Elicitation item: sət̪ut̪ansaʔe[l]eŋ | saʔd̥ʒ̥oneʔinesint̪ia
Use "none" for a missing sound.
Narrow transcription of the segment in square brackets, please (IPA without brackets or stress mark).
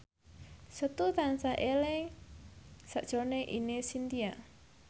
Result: l